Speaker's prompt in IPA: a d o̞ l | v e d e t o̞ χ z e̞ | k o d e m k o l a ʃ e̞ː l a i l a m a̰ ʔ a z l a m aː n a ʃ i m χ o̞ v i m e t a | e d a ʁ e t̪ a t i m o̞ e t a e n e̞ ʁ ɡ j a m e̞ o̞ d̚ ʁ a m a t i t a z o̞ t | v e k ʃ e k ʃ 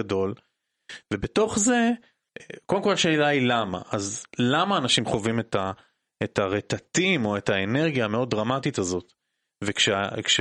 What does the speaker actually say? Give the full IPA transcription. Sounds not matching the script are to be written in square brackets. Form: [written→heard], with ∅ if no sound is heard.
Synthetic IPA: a d o̞ l | v e [d→b] e t o̞ χ z e̞ | k o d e m k o l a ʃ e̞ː l a i l a m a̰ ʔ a z l a m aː n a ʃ i m χ o̞ v i m e t a | e [d→t] a ʁ e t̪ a t i m o̞ e t a e n e̞ ʁ ɡ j a m e̞ o̞ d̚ ʁ a m a t i t a z o̞ t | v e k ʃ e k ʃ